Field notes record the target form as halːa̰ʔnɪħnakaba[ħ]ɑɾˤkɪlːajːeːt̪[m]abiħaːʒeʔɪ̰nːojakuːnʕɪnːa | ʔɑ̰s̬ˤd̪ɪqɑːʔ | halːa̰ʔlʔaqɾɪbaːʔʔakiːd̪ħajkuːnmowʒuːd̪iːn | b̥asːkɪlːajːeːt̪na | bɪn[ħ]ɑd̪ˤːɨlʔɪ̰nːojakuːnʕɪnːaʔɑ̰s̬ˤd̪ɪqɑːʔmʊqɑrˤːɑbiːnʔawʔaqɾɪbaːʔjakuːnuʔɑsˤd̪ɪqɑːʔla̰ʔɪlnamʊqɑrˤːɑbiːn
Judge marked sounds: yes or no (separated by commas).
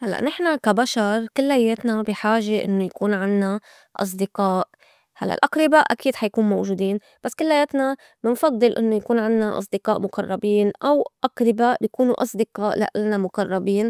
no, no, no